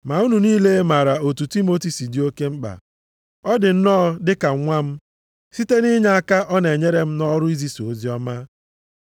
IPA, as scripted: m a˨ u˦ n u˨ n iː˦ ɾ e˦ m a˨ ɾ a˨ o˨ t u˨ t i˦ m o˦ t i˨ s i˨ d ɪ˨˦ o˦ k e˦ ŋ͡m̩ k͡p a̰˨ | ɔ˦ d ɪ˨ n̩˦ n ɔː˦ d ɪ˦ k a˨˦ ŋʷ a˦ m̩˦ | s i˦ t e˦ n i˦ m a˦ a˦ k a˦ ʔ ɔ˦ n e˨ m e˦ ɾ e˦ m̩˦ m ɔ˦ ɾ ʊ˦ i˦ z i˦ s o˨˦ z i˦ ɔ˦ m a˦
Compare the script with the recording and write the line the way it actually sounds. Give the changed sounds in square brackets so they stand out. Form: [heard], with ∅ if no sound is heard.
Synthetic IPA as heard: m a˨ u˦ n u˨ n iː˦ [l] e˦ m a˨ ɾ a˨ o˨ t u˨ t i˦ m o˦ t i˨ s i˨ d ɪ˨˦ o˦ k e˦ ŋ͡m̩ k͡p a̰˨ | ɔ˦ d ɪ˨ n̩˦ n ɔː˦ d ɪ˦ k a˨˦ ŋʷ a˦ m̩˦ | s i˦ t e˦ n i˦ [ɲ] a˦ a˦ k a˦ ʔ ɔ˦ n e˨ [ɲ] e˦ ɾ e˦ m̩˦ [n] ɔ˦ ɾ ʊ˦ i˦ z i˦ s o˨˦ z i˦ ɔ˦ m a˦